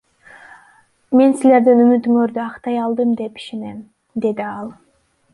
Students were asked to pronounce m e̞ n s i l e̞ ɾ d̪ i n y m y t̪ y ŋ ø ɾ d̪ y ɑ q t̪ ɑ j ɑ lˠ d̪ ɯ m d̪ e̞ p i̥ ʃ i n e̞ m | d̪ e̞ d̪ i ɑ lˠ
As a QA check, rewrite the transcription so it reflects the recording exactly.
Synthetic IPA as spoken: m e̞ n s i l e̞ ɾ d̪ i n y m y t̪ y ŋ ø ɾ d̪ y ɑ q t̪ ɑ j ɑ lˠ d̪ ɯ m d̪ e̞ p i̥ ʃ e n e̞ m | d̪ e̞ d̪ i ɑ lˠ